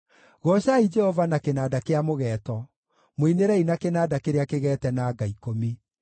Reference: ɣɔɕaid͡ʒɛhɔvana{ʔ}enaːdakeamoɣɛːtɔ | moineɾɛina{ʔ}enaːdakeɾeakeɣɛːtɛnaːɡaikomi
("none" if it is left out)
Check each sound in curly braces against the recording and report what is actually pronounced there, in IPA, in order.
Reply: k, k

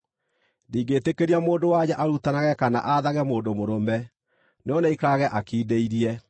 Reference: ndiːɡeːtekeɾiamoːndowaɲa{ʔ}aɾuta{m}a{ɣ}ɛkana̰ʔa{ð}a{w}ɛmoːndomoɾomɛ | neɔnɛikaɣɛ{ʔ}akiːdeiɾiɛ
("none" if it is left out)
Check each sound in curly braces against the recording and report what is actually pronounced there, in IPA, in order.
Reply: ʔ, n, ɣ, ð, ɣ, ʔ

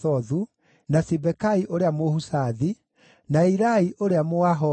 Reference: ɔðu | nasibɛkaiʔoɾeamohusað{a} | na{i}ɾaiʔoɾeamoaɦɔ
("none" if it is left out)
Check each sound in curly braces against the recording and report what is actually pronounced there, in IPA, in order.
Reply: i, i

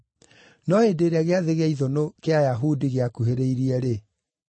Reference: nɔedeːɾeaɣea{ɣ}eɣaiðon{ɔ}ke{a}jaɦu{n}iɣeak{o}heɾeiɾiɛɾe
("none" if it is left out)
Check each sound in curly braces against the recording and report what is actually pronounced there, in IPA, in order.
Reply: ð, o, a, d, u

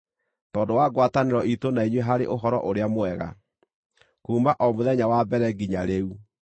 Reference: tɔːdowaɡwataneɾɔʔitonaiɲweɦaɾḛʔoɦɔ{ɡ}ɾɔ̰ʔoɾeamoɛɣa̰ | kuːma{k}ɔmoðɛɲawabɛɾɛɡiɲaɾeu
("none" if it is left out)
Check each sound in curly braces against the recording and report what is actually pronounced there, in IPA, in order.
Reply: none, ʔ

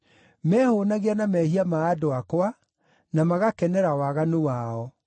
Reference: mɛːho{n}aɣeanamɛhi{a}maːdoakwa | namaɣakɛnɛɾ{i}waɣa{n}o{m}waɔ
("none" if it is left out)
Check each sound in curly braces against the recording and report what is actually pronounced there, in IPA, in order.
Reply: n, a, a, n, none

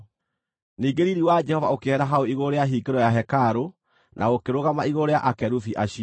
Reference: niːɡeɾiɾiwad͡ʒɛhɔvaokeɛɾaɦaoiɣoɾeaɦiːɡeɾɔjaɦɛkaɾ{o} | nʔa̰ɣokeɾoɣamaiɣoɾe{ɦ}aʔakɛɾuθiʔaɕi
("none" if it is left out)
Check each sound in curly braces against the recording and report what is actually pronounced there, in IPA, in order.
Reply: o, none

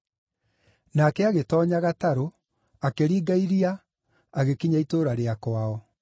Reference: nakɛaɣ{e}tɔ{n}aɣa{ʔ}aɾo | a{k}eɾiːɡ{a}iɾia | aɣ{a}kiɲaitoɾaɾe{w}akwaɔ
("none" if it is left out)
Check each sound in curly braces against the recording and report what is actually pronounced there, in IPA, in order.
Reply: e, ɲ, t, k, a, e, none

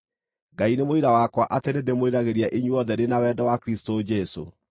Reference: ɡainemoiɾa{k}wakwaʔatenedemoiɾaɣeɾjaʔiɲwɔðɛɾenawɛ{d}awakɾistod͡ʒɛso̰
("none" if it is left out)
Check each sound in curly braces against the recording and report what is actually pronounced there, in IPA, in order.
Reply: none, d

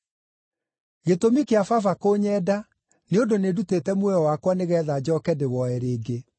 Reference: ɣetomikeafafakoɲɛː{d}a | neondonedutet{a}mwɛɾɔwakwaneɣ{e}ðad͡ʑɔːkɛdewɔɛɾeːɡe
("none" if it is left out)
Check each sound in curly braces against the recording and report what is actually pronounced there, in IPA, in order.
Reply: d, ɛ, ɛ

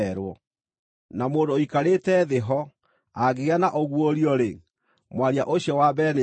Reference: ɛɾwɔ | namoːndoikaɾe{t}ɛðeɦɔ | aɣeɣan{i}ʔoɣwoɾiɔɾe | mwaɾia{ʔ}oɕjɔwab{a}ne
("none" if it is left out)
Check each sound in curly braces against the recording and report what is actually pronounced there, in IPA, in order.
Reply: t, a, ʔ, ɛ

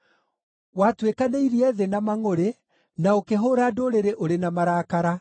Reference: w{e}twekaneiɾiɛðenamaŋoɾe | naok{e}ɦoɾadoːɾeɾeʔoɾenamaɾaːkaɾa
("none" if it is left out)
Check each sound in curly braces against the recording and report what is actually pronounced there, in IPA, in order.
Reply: a, e

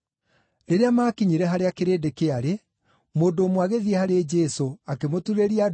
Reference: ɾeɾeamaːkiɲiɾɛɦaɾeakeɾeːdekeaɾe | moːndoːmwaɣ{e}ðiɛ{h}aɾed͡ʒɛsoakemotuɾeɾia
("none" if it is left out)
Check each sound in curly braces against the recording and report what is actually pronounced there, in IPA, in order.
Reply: e, h

